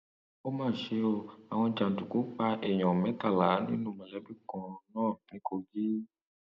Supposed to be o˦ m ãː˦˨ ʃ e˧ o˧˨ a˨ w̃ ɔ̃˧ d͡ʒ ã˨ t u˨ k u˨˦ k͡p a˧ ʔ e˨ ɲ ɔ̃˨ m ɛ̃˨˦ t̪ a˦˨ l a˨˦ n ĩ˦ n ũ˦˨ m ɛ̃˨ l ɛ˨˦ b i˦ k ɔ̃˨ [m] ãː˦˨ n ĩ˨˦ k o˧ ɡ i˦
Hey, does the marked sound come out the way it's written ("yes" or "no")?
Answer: no